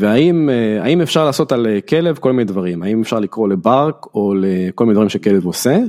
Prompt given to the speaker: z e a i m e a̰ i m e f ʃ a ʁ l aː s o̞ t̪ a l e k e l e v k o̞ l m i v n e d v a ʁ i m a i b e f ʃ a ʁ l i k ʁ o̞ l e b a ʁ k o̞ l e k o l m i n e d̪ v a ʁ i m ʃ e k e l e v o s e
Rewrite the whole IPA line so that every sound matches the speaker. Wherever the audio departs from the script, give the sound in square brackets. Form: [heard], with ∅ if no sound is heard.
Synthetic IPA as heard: [v] e a i m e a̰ i m e f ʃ a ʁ l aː s o̞ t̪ a l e k e l e v k o̞ l m i [∅] n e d v a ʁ i m a i [m] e f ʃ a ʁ l i k ʁ o̞ l e b a ʁ k o̞ l e k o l m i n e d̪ v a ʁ i m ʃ e k e l e v o s e